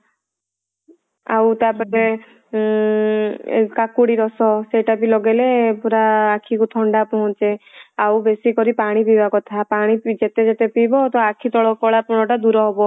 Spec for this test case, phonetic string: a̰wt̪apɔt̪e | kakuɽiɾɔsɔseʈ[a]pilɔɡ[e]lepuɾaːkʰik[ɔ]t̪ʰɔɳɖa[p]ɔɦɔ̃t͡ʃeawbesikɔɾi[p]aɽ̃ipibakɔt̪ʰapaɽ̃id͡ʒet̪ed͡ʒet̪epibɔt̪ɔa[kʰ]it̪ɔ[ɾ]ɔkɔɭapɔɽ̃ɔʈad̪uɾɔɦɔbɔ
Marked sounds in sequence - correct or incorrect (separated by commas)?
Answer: correct, correct, incorrect, correct, correct, correct, incorrect